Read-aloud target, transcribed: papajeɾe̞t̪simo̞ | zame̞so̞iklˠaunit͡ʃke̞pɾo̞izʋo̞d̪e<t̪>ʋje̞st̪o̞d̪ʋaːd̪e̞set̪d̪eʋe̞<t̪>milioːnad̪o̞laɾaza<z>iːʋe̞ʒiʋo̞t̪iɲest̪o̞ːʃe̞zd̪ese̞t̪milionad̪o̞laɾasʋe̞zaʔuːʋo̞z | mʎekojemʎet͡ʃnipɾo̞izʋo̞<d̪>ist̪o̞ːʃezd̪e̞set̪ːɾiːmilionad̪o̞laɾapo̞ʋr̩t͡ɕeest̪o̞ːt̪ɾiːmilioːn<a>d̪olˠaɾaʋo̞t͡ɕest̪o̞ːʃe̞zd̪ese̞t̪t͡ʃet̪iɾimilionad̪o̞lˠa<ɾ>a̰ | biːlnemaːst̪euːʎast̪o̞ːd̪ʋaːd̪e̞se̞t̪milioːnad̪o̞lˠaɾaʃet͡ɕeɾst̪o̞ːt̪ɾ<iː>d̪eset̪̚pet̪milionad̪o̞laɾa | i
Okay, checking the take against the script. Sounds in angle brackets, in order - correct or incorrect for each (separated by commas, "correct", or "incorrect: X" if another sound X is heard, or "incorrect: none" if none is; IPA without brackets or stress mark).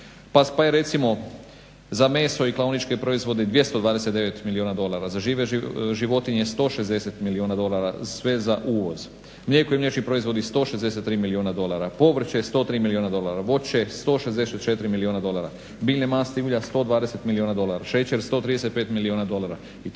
incorrect: d̪, correct, incorrect: ʒ, correct, correct, correct, incorrect: i